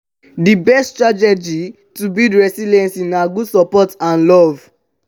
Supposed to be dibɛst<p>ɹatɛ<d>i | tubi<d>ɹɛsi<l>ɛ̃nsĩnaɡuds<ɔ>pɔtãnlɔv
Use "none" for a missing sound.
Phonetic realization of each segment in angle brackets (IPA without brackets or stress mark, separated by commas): t, d͡ʒ, d, l, ɔ